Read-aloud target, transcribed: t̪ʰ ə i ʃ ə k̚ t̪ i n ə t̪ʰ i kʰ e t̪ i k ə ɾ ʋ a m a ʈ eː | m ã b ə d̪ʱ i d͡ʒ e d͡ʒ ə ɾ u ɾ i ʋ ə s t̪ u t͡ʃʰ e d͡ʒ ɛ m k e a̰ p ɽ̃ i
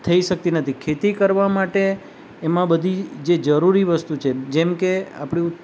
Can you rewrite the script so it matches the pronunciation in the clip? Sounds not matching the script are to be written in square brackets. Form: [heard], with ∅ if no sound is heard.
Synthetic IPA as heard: t̪ʰ ə i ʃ ə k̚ t̪ i n ə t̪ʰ i kʰ e t̪ i k ə ɾ ʋ a m a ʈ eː | m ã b ə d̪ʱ i d͡ʒ e d͡ʒ ə ɾ u ɾ i ʋ ə s t̪ u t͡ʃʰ e d͡ʒ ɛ m k e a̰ p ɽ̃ i